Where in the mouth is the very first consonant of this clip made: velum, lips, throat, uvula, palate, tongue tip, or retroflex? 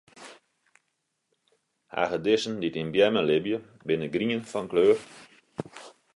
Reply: throat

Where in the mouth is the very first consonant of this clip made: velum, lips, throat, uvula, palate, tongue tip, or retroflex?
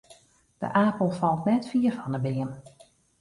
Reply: tongue tip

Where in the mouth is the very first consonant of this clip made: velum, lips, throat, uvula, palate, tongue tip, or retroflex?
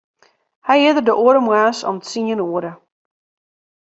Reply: throat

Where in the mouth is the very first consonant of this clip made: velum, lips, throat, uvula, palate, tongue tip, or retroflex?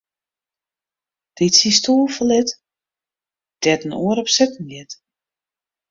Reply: tongue tip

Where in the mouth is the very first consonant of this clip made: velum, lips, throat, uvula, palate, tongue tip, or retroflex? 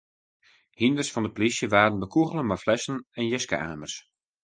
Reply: throat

